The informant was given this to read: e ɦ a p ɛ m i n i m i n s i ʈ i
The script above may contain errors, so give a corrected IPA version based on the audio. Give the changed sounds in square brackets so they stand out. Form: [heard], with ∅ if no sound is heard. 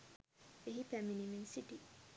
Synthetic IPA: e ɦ [i] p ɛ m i n i m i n s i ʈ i